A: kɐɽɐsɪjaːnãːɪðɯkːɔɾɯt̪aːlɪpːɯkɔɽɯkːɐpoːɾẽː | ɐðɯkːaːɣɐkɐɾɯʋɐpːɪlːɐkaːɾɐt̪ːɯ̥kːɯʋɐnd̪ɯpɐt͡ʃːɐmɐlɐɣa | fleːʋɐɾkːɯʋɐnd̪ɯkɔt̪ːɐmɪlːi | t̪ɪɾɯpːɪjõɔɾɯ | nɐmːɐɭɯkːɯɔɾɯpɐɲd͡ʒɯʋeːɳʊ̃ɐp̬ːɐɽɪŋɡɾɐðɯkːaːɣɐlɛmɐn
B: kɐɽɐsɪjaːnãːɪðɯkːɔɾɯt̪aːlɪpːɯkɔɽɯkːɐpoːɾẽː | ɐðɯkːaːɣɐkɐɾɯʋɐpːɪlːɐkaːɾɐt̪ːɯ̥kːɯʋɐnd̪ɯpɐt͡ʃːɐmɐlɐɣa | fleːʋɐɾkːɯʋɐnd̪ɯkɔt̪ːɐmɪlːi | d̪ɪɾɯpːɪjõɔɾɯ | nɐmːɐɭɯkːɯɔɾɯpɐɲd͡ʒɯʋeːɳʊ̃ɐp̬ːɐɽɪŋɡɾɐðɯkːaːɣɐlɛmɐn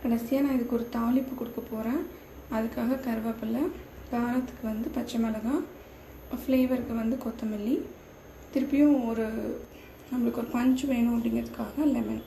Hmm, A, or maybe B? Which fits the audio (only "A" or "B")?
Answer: A